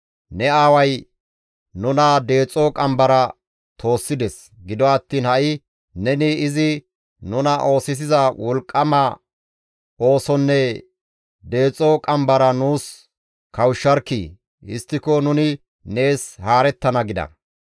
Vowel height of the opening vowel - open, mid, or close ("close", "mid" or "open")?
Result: mid